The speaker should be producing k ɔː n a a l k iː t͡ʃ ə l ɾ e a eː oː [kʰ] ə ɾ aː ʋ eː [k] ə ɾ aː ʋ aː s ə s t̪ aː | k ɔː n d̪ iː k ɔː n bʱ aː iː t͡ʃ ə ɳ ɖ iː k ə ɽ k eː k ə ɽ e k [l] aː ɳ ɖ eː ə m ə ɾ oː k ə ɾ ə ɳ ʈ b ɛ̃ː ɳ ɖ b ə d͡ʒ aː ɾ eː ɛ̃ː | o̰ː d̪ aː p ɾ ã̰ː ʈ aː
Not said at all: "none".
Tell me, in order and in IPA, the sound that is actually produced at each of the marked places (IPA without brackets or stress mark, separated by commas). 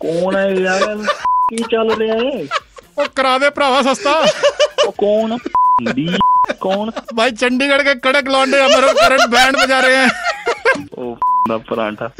k, p, l